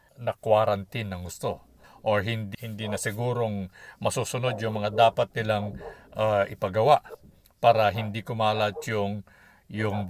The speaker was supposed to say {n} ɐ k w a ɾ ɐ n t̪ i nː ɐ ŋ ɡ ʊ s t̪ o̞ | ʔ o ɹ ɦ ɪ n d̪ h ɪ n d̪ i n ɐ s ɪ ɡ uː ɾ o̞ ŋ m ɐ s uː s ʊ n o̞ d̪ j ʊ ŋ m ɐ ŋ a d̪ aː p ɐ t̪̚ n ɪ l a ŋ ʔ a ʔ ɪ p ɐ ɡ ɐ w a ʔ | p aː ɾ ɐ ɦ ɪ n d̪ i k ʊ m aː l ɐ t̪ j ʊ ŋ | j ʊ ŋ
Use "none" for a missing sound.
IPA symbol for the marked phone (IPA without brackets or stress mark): n